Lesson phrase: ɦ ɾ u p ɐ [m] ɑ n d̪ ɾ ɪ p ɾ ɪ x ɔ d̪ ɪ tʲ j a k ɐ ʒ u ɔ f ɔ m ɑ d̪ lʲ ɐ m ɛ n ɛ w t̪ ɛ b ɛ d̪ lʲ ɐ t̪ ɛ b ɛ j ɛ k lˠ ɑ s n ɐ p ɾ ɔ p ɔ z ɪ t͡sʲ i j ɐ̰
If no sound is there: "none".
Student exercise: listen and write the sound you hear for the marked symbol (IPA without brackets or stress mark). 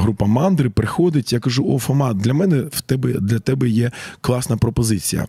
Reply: m